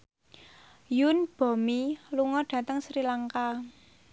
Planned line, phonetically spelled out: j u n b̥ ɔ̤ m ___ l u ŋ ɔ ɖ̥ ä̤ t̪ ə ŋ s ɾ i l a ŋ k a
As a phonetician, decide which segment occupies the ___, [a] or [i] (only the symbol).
i